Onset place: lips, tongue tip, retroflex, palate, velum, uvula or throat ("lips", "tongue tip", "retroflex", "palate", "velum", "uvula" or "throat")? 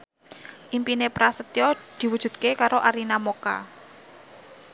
throat